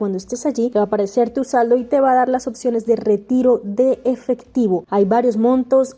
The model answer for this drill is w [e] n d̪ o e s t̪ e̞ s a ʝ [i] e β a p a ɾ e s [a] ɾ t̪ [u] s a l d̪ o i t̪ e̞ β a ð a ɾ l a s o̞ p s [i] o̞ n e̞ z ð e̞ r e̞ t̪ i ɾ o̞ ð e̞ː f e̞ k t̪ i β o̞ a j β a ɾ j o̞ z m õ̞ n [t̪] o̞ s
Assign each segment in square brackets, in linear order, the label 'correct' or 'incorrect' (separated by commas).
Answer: incorrect, correct, incorrect, correct, incorrect, correct